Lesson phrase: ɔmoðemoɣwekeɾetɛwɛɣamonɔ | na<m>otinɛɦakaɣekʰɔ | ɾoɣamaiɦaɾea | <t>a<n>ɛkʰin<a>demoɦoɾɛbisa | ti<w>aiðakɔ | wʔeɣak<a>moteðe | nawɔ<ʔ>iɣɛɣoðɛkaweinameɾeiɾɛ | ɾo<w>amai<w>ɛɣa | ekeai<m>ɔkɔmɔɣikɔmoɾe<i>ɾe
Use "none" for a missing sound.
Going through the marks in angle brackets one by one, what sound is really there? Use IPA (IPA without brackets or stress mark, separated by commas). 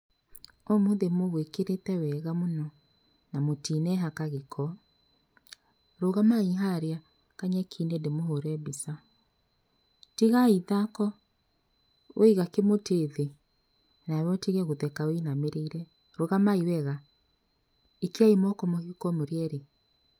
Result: m, k, ɲ, e, ɣ, e, t, ɣ, w, m, ɛ